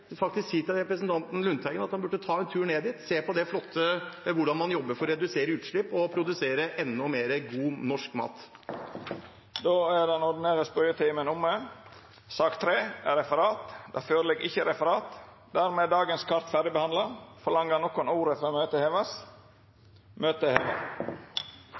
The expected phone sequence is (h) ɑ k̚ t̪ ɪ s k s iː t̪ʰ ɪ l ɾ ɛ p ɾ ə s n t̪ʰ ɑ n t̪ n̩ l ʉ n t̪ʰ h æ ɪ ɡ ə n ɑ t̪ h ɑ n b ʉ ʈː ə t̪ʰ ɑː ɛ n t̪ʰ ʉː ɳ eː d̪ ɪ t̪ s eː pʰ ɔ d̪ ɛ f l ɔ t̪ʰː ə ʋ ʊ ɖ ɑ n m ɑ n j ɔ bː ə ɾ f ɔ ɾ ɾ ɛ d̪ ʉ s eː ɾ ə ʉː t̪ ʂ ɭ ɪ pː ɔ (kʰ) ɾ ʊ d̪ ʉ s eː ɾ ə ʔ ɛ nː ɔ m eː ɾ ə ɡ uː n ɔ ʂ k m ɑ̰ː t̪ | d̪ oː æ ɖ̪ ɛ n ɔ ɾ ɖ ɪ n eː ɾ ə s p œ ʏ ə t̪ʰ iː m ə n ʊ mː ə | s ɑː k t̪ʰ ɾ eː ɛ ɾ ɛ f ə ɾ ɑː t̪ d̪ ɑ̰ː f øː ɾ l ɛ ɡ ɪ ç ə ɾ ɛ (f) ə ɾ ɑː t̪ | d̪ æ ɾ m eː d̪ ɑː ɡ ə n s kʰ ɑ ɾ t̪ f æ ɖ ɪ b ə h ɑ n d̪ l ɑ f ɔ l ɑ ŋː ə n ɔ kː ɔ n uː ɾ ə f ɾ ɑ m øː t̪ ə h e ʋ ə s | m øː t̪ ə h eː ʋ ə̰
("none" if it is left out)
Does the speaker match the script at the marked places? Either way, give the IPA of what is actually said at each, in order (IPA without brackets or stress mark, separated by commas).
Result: f, pʰ, f